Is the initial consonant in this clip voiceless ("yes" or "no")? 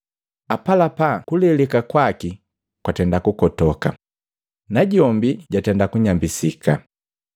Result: yes